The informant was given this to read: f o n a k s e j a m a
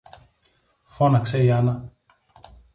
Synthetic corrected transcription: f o n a k s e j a n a

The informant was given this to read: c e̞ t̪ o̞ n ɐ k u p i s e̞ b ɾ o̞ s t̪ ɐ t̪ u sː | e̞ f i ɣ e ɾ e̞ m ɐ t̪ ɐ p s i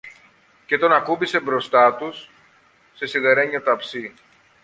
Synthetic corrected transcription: c e̞ t̪ o̞ n ɐ k u b i s e̞ b ɾ o̞ s t̪ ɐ t̪ u sː | e̞ s i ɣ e ɾ e̞ ɲ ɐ t̪ ɐ p s i

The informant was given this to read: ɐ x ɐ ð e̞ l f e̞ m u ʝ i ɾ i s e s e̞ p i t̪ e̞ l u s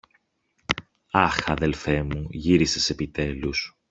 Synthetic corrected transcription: ɐ x ɐ ð e̞ l f e̞ m u ʝ i ɾ i s e s e̞ p i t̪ e̞ l u s

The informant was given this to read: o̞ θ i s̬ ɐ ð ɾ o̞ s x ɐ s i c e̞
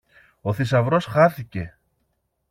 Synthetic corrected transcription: o̞ θ i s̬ ɐ v ɾ o̞ s x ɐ θ i c e̞

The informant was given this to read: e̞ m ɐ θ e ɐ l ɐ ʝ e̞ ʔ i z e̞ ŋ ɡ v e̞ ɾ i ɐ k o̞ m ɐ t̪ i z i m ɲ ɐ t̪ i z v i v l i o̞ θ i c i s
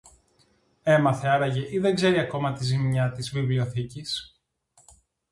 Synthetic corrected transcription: e̞ m ɐ θ e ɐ ɾ ɐ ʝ e̞ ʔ i ð e̞ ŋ ɡ z e̞ ɾ i ɐ k o̞ m ɐ t̪ i z i m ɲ ɐ t̪ i z v i v l i o̞ θ i c i s

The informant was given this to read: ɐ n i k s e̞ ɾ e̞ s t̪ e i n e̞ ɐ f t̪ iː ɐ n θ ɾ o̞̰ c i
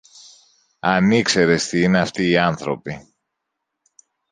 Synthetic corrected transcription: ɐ n i k s e̞ ɾ e̞ s t̪ i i n e̞ ɐ f t̪ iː ɐ n θ ɾ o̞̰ p i

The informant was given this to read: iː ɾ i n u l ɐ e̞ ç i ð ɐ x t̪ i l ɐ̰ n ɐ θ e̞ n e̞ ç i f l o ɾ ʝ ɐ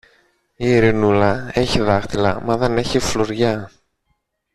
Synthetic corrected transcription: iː ɾ i n u l ɐ e̞ ç i ð ɐ x t̪ i l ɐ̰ m ɐ ð e̞ n e̞ ç i f l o ɾ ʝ ɐ

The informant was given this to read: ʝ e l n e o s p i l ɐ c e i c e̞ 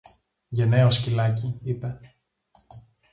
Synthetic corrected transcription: ʝ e n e o s c i l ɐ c i i p e̞

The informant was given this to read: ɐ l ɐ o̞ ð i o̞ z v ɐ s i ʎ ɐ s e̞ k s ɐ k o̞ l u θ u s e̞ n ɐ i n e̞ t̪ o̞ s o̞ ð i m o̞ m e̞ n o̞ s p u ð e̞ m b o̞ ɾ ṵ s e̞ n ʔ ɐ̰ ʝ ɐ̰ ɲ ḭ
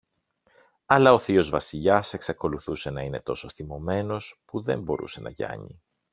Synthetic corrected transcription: ɐ l ɐ o̞ θ i o̞ z v ɐ s i ʎ ɐ s e̞ k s ɐ k o̞ l u θ u s e̞ n ɐ i n e̞ t̪ o̞ s o̞ θ i m o̞ m e̞ n o̞ s p u ð e̞ m b o̞ ɾ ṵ s e̞ n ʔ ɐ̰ ʝ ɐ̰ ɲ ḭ

